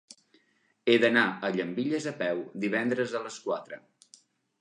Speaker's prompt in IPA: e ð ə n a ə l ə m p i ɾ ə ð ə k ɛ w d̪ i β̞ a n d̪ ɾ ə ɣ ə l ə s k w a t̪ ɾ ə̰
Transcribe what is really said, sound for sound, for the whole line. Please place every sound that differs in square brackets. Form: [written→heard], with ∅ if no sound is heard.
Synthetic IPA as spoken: e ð ə n a ə [l→ʎ] ə m [p→b] i [ɾ→ʎ] ə [ð→z] ə [k→p] ɛ w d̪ i β̞ [a→ɛ] n d̪ ɾ ə [ɣ→z] ə l ə s k w a t̪ ɾ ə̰